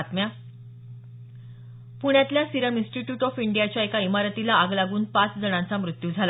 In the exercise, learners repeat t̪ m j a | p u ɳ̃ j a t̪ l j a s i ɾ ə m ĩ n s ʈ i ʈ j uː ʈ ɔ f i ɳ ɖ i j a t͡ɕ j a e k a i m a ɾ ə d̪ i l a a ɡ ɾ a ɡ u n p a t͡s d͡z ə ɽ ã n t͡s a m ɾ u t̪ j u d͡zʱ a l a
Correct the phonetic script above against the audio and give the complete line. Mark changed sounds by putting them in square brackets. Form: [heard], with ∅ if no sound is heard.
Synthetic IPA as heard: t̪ m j a | p u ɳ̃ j a t̪ l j a s i ɾ ə m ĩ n s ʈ i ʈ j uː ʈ ɔ f i ɳ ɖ i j a t͡ɕ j a e k a i m a ɾ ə [t̪] i l a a ɡ [l] a ɡ [uː] n p a t͡s d͡z ə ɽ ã n t͡s a m ɾ u t̪ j u d͡zʱ a l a